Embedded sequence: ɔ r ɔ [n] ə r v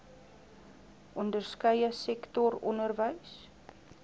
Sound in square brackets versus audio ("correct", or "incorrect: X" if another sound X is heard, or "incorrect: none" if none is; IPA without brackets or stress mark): correct